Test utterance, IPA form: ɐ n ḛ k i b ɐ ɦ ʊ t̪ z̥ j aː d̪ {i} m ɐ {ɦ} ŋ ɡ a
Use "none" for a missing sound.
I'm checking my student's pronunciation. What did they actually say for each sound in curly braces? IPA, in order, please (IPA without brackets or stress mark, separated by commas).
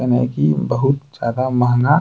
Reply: a, ɦ